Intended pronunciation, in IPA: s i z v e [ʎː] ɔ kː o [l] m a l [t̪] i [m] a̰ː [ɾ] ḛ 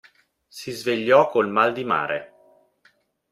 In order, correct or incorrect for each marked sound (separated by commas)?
correct, correct, incorrect, correct, correct